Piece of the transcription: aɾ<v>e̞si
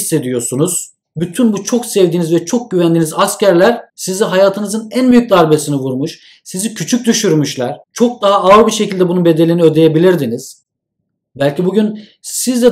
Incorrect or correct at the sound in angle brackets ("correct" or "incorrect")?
incorrect